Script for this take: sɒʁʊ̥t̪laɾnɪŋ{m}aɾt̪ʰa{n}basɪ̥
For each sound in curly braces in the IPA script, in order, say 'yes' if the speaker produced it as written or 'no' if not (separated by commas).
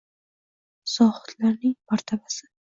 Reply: yes, no